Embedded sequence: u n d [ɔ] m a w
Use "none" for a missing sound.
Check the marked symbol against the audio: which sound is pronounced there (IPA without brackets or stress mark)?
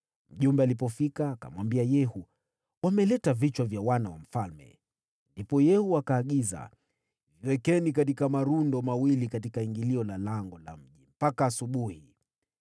ɔ